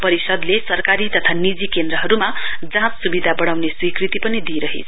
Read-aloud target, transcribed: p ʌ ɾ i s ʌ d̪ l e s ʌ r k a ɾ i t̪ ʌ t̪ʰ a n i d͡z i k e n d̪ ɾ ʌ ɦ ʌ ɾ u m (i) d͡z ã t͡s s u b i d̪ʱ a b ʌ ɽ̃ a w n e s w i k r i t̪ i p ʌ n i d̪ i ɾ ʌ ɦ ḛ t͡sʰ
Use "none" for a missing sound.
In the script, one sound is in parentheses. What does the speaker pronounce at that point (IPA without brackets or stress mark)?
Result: a